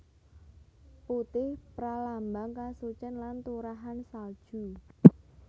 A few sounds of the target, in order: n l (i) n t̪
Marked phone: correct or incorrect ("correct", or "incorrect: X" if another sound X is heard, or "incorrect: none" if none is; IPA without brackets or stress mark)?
incorrect: a